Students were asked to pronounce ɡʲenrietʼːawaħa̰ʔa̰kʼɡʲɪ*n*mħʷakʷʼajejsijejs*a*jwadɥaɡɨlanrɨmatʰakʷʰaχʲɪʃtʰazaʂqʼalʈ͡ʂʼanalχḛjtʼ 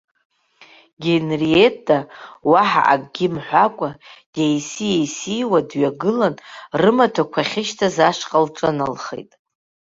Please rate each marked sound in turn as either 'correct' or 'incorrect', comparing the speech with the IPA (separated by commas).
incorrect, incorrect